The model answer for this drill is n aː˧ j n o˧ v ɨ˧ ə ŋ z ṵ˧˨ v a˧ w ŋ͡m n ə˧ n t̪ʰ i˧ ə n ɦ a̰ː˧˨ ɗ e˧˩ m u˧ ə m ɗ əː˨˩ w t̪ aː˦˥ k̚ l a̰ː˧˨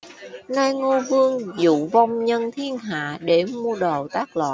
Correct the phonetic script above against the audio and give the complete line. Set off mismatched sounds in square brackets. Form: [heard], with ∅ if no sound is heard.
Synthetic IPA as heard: n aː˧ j [ŋ] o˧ v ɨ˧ ə ŋ z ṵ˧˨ v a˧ w ŋ͡m [ɲ] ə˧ n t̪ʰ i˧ ə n ɦ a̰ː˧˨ ɗ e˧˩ m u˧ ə [∅] ɗ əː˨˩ w t̪ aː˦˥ k̚ l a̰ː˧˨